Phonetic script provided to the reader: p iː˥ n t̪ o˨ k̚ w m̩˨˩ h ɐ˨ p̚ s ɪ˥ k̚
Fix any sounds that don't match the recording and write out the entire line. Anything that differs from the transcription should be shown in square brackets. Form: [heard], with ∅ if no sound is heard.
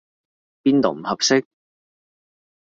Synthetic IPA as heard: p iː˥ n t̪ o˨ [∅] w m̩˨˩ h ɐ˨ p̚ s ɪ˥ k̚